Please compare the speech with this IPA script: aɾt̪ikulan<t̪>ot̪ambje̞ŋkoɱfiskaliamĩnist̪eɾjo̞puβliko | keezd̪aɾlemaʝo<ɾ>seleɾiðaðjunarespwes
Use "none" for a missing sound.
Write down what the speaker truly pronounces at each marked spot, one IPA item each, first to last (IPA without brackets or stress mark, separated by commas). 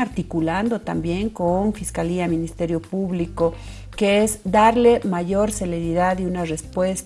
d̪, ɾ